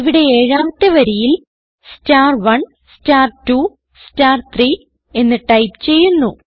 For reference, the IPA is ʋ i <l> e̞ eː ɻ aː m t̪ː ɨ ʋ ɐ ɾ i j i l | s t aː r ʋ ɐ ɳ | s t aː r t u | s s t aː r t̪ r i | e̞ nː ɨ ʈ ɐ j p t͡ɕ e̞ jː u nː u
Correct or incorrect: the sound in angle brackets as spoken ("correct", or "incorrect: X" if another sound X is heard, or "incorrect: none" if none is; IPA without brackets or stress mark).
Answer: incorrect: ɽ